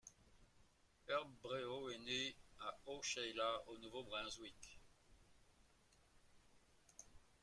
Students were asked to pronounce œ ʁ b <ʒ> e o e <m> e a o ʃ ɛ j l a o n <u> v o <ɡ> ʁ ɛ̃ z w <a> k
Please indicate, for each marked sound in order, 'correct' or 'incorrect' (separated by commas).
incorrect, incorrect, correct, incorrect, incorrect